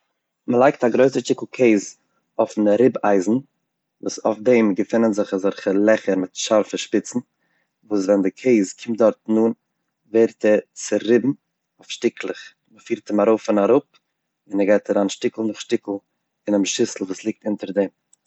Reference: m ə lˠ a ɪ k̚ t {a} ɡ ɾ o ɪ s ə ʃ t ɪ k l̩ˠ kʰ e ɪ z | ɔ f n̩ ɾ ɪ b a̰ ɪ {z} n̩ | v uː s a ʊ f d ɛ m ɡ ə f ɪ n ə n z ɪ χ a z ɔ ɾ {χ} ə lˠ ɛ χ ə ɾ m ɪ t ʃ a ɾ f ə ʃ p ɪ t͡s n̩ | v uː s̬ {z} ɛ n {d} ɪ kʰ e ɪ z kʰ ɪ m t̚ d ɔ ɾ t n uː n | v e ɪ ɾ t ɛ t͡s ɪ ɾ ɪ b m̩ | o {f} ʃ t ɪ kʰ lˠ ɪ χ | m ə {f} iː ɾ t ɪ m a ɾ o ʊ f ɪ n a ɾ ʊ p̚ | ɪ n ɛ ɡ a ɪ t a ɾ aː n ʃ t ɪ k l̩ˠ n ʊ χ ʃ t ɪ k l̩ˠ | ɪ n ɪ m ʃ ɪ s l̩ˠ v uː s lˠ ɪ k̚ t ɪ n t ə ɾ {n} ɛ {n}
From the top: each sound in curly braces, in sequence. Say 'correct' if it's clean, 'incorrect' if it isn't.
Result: correct, correct, correct, incorrect: v, correct, correct, correct, incorrect: d, incorrect: m

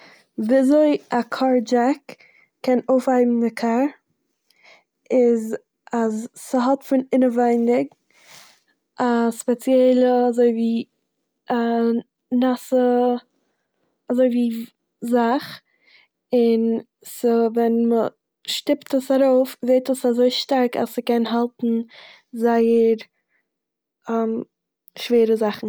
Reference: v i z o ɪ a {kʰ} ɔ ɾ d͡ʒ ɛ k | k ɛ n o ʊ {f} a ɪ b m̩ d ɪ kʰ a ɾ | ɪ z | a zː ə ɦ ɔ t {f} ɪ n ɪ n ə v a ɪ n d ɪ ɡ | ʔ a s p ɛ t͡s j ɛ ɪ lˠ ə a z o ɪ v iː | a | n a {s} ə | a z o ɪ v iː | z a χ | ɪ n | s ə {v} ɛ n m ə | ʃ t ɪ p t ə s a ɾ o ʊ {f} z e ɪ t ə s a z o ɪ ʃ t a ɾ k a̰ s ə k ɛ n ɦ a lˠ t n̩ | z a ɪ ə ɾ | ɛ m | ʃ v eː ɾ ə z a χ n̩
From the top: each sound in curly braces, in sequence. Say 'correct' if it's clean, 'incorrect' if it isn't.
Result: correct, correct, correct, correct, correct, correct

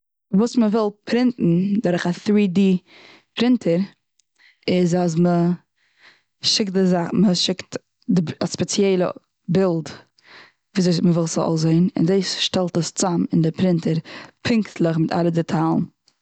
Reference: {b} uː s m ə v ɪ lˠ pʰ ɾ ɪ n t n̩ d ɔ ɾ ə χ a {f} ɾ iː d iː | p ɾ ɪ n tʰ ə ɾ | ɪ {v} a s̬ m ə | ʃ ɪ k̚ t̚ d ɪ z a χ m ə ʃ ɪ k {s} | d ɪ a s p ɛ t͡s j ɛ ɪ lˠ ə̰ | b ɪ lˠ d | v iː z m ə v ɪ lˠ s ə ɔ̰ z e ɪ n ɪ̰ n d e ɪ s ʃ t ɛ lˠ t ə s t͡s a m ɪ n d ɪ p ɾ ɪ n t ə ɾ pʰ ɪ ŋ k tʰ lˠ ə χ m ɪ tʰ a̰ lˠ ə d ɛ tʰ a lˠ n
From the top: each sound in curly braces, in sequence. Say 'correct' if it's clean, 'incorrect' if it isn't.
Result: incorrect: v, incorrect: θ, incorrect: z, incorrect: t

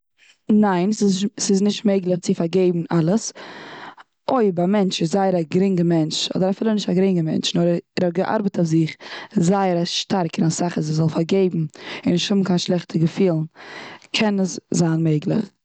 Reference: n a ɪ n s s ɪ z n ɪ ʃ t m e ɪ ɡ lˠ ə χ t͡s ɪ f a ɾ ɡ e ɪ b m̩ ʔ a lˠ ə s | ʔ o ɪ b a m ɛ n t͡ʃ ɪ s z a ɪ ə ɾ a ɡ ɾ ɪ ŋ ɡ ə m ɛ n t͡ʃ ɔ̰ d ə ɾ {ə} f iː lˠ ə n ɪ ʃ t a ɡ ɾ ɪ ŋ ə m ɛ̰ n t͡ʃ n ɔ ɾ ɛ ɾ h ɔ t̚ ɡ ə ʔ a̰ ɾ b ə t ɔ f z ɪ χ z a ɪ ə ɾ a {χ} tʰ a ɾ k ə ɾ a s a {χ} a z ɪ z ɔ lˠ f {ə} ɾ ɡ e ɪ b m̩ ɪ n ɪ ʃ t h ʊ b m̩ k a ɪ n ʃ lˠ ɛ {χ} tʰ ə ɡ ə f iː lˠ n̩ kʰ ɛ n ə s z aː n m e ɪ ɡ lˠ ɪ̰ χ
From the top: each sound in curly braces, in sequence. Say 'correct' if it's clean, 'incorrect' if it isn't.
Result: incorrect: a, incorrect: ʃ, correct, incorrect: a, correct

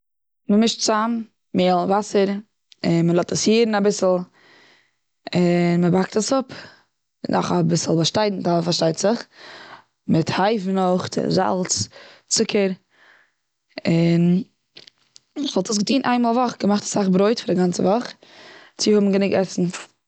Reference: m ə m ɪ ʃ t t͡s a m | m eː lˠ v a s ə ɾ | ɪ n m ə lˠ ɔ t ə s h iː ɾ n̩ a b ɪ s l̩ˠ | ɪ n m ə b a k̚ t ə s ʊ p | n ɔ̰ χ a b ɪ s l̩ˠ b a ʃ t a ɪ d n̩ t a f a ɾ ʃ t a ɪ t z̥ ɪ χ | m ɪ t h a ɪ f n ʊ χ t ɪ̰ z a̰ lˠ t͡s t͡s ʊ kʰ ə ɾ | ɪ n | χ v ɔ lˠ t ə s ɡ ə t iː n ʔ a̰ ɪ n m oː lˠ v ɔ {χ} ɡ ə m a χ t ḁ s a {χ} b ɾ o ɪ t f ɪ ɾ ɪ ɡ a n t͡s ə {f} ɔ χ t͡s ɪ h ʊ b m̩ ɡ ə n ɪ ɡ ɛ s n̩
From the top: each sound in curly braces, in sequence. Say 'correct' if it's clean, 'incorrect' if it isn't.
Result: correct, correct, incorrect: v

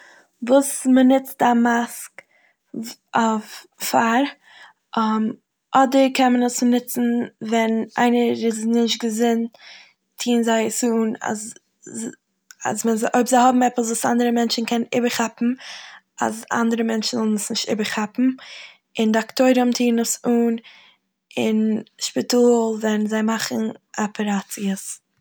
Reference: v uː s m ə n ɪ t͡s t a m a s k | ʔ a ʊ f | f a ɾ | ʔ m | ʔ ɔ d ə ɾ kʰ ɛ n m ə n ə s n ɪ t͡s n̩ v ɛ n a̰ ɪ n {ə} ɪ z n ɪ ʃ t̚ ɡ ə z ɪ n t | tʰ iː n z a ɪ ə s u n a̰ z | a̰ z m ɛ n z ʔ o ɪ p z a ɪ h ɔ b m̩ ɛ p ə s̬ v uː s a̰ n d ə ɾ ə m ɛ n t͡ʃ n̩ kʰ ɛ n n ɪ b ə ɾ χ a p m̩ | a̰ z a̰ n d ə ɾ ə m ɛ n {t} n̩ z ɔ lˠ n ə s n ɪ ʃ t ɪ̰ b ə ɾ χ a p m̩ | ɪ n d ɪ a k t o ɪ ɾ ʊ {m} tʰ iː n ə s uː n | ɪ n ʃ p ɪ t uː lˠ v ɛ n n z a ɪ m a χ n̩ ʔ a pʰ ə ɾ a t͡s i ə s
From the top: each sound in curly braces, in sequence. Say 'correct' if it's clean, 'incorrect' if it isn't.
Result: correct, incorrect: t͡ʃ, correct

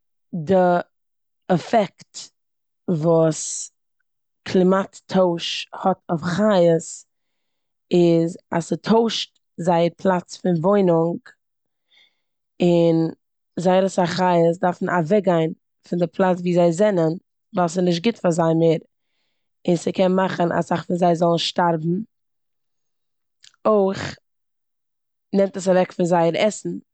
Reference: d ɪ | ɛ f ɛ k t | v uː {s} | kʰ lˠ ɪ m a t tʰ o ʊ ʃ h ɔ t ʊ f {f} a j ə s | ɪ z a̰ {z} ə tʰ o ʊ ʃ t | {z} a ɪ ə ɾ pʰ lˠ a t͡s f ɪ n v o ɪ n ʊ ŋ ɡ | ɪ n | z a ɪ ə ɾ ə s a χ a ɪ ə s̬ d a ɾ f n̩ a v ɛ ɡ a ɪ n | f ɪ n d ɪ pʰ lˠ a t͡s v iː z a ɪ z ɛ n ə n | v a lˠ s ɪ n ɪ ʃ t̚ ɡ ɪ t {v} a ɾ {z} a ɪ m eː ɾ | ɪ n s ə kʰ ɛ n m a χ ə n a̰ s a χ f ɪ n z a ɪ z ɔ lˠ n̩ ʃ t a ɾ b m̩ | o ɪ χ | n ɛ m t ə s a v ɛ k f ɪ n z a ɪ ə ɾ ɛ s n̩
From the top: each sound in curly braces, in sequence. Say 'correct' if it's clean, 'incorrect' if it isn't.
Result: correct, incorrect: χ, incorrect: s, correct, incorrect: f, correct

